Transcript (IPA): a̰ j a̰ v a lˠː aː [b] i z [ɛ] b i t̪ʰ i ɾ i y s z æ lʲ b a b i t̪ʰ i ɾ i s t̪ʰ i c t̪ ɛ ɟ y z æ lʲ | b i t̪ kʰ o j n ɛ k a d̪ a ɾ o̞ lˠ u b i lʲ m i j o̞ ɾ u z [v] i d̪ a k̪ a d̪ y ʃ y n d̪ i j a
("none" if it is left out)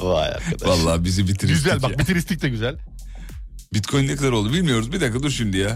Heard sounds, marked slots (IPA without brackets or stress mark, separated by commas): b, i, b